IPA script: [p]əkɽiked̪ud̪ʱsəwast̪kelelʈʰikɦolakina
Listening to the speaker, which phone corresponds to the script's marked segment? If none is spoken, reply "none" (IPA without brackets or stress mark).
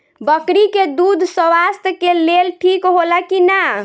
b